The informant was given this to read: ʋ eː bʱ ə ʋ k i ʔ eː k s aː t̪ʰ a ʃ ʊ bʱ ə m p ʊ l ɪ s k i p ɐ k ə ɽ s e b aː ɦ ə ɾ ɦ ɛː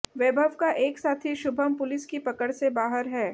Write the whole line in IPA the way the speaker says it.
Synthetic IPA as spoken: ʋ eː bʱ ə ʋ k a ʔ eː k s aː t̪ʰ i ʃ ʊ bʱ ə m p ʊ l ɪ s k i p ɐ k ə ɽ s e b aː ɦ ə ɾ ɦ ɛː